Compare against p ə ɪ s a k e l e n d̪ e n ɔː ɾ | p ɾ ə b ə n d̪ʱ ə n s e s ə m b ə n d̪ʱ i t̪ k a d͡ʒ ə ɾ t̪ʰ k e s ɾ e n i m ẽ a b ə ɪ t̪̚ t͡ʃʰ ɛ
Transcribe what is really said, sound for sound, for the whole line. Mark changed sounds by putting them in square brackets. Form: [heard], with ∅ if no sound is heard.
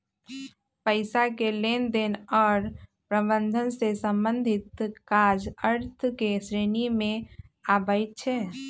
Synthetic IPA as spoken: p ə ɪ s a k e l e n d̪ e n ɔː ɾ | p ɾ ə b ə n d̪ʱ ə n s e s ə m b ə n d̪ʱ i t̪ k a d͡ʒ ə ɾ t̪ʰ k e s ɾ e n i m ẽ a b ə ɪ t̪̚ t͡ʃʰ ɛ